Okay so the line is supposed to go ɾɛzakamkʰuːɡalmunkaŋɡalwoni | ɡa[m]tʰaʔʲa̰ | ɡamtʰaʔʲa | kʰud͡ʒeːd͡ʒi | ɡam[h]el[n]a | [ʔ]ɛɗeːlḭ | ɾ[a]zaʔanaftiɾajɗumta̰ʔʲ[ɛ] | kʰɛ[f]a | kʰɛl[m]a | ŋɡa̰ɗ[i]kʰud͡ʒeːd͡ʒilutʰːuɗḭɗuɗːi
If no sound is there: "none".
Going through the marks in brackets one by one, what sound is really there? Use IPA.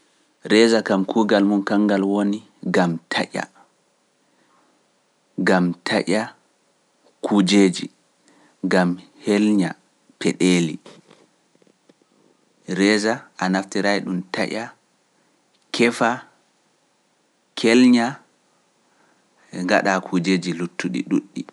m, h, ɲ, p, ɛ, a, f, ɲ, a

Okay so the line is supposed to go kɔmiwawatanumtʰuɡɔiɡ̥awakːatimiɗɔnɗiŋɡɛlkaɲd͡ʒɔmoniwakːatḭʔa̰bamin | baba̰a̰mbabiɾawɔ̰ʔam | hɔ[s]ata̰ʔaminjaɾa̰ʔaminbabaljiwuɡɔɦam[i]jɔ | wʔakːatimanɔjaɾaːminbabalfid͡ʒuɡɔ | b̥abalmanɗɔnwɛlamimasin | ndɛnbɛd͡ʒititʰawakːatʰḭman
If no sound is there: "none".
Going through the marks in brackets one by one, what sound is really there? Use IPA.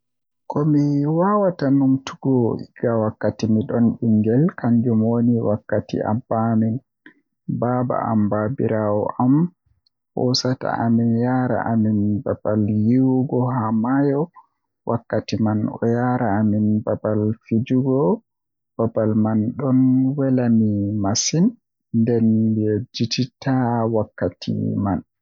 s, a

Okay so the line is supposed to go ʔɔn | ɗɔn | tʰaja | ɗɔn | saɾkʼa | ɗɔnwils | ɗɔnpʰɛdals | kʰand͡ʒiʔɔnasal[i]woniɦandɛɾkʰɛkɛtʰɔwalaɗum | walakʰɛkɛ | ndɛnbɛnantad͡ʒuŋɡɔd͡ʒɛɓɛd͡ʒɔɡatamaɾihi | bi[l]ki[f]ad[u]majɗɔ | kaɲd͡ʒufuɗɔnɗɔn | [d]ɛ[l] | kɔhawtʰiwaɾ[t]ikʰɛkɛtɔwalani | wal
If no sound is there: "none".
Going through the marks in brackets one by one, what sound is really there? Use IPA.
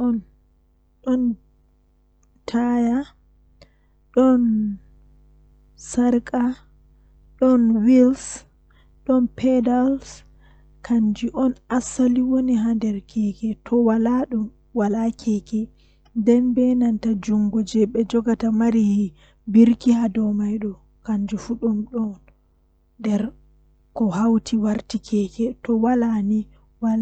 i, ɾ, h, ɔ, d, ɾ, t

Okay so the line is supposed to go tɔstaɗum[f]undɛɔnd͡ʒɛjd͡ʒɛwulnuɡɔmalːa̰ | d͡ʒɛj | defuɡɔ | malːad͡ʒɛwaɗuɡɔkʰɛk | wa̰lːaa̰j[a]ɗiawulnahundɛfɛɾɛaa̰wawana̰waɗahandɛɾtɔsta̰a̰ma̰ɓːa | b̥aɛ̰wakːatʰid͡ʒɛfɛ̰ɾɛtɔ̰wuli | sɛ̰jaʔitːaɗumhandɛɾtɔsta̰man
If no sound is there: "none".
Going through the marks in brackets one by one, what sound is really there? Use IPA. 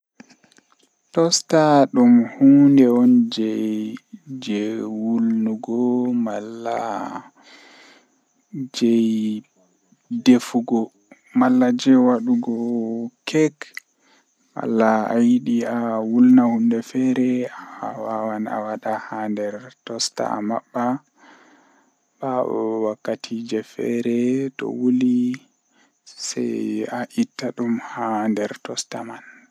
h, i

